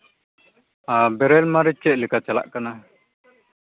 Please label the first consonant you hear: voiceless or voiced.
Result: voiced